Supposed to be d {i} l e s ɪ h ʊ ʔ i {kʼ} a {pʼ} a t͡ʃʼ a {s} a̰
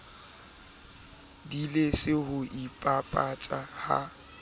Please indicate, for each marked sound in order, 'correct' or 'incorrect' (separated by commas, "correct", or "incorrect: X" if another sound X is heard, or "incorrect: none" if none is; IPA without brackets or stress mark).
correct, incorrect: pʼ, correct, incorrect: h